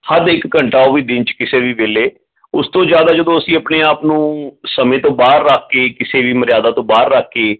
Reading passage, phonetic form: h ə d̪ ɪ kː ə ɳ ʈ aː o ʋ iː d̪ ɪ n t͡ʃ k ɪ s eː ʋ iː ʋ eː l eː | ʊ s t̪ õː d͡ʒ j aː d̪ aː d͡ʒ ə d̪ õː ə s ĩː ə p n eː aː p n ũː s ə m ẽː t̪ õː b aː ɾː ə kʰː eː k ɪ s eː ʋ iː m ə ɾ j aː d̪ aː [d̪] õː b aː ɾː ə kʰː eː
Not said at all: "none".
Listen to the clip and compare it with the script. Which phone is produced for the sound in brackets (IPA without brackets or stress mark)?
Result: t̪